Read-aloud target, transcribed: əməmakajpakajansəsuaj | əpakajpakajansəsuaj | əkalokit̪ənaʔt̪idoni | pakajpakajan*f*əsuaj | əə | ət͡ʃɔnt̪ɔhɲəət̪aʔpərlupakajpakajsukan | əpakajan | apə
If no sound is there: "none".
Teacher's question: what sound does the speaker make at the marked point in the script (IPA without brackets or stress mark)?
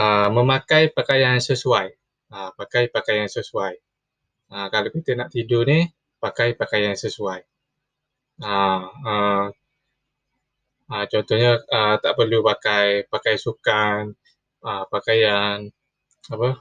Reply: s